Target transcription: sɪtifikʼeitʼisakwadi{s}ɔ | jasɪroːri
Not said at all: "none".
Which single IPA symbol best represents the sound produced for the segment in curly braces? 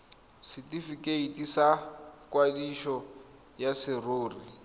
ʃ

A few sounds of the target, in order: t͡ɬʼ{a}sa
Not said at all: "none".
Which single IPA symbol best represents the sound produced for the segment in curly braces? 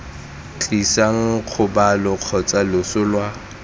i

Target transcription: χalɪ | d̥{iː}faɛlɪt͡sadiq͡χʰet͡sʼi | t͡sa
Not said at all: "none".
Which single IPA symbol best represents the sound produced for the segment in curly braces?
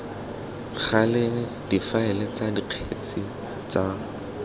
i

